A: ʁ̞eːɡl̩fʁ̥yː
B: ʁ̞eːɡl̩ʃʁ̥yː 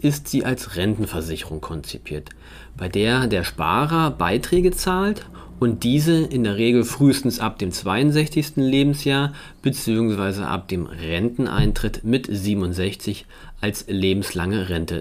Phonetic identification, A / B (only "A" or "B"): A